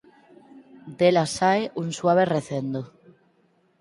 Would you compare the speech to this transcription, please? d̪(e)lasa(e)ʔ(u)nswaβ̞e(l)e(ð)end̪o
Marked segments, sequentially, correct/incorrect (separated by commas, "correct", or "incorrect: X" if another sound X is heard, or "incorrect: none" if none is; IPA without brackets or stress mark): correct, correct, correct, incorrect: r, incorrect: θ